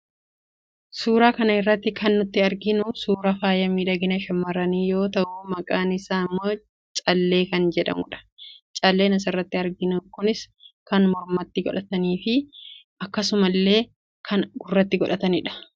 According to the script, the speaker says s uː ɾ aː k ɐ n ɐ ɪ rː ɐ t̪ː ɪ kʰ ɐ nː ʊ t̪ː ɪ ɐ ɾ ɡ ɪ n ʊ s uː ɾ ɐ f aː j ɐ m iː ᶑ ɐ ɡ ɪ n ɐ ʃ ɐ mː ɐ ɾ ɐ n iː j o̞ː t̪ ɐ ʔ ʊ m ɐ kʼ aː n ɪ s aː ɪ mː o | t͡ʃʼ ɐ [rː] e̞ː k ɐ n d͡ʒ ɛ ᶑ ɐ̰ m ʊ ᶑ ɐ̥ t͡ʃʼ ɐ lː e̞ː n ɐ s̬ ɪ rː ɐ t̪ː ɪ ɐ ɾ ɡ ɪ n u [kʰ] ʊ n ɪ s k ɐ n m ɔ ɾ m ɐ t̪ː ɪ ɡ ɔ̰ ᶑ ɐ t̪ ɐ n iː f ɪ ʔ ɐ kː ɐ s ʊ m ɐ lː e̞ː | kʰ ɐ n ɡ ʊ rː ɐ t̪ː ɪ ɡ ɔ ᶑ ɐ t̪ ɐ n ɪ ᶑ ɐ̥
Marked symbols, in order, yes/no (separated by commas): no, no